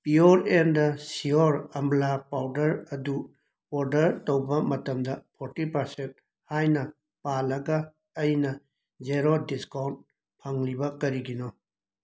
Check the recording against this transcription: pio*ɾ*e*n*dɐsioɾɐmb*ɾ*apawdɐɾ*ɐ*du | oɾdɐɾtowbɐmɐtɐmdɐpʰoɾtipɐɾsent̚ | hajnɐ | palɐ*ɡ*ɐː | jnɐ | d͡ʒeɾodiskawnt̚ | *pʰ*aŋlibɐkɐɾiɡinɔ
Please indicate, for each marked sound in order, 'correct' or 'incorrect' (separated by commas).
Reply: correct, correct, incorrect, correct, correct, correct